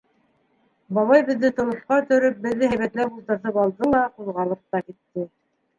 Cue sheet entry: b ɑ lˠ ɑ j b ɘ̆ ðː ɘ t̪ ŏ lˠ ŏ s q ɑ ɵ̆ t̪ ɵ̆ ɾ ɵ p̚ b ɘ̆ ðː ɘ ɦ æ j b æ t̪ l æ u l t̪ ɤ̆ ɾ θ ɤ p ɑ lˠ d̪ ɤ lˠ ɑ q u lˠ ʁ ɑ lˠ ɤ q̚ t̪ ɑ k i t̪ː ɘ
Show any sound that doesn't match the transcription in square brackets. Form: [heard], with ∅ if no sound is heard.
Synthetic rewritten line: b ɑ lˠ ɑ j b ɘ̆ ðː ɘ t̪ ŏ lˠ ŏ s q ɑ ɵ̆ t̪ ɵ̆ ɾ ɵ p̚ b ɘ̆ ðː ɘ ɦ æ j [β] æ t̪ l æ u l t̪ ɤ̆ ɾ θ ɤ p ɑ lˠ d̪ ɤ lˠ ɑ q u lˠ ʁ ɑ lˠ ɤ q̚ t̪ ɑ k i t̪ː ɘ